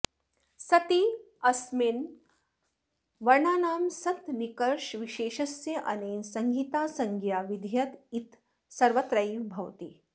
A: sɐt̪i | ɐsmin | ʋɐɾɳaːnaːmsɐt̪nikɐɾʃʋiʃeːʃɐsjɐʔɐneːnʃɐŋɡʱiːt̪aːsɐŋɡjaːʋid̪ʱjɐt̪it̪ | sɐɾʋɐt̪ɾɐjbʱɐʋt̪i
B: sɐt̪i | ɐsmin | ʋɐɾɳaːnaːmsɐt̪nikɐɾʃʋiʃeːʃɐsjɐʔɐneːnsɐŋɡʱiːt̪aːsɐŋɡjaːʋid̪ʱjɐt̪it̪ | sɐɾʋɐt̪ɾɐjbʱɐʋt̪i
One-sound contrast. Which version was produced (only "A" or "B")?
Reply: B